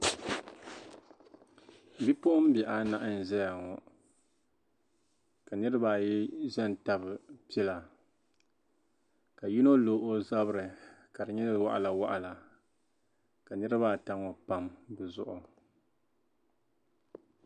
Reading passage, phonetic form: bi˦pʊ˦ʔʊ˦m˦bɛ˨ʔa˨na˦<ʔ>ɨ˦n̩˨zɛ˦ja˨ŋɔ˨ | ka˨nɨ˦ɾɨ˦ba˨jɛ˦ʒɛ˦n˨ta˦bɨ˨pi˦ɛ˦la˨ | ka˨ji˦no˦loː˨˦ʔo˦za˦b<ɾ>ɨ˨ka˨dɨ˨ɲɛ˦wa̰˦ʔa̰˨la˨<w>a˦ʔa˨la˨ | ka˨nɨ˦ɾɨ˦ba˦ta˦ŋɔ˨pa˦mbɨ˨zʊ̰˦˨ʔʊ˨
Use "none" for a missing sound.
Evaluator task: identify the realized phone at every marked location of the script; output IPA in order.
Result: ʔ, ɾ, w

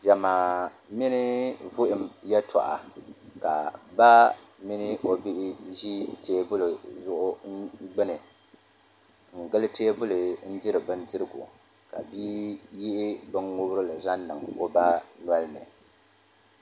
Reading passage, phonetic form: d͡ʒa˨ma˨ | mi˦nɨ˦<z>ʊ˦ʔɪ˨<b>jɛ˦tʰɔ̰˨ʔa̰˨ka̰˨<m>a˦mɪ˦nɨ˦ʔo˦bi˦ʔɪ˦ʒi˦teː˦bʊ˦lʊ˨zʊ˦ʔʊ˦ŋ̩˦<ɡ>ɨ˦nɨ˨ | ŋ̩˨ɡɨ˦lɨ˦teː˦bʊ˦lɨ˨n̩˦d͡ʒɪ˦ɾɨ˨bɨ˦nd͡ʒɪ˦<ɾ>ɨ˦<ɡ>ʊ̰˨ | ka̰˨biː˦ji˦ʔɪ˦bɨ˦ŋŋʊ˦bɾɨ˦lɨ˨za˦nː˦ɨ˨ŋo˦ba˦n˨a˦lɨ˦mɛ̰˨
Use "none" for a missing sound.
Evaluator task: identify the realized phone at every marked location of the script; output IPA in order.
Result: v, m, b, ɡ͡b, ɾ, ɡ

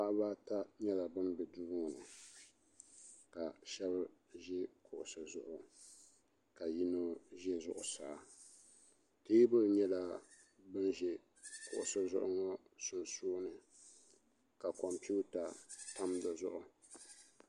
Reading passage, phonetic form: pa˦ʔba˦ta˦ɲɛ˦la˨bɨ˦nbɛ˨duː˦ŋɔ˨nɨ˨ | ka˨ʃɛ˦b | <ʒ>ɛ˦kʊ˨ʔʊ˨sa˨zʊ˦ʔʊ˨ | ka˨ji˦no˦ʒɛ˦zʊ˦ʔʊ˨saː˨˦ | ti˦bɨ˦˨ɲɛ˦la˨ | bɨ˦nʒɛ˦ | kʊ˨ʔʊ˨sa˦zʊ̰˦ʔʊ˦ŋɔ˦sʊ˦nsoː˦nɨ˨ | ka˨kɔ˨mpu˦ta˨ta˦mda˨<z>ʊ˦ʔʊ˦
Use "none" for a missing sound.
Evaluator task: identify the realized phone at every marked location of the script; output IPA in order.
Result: ʒ, z

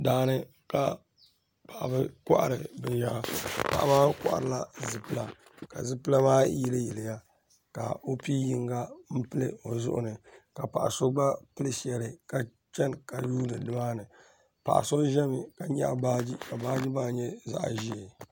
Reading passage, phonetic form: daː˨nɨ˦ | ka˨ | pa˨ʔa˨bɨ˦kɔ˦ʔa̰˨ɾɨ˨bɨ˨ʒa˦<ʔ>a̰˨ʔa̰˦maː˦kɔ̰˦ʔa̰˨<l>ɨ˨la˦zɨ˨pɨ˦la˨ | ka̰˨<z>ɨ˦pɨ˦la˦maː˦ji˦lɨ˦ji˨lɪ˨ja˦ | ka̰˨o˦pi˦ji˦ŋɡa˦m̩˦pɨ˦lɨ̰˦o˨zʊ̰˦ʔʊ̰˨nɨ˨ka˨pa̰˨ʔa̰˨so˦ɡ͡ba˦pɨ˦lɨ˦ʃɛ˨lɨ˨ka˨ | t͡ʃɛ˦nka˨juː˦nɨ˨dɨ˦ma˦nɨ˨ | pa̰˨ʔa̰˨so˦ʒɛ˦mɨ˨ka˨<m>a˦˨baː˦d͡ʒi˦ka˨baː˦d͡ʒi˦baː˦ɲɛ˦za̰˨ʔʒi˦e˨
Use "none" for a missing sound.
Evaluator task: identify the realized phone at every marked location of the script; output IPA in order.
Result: p, ɾ, z, ɲ

